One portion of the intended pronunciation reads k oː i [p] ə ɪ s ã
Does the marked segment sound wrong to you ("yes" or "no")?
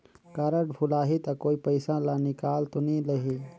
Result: no